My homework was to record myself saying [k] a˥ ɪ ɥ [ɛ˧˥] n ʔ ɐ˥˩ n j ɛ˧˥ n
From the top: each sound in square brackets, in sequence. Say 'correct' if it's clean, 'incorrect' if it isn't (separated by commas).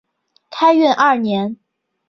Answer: incorrect, incorrect